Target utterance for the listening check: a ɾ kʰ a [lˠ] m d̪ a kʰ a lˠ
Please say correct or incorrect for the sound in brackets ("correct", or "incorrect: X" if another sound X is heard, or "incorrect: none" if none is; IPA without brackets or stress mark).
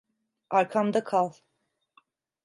incorrect: none